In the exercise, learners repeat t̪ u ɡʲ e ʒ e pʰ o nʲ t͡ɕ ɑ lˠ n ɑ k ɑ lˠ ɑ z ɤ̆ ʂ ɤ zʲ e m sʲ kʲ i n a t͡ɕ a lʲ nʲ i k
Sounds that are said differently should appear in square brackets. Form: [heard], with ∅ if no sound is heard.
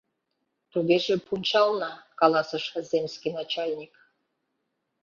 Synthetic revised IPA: t̪ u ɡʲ e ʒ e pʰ [u] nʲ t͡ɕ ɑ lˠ n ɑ k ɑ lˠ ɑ [s] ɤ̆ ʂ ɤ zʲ e m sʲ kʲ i n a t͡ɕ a lʲ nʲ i k